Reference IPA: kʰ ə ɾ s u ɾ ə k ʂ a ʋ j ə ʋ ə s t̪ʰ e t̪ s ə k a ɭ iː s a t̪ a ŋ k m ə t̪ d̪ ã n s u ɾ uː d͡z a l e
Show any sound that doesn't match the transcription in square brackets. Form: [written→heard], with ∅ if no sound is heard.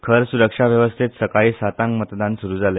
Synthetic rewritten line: kʰ ə ɾ s u ɾ ə k ʂ a ʋ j ə ʋ ə s t̪ʰ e t̪ s ə k a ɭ iː s a t̪ a ŋ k m ə t̪ d̪ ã n s u ɾ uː d͡z a l e